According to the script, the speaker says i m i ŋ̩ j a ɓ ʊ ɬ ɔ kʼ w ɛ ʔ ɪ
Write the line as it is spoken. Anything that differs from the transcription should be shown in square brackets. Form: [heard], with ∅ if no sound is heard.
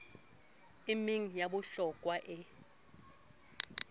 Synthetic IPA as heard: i m i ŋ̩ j a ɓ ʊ ɬ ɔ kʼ w [a] ʔ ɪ